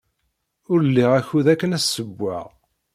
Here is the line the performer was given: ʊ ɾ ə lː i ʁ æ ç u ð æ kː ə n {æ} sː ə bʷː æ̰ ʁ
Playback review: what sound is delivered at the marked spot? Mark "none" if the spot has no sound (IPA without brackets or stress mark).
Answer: æ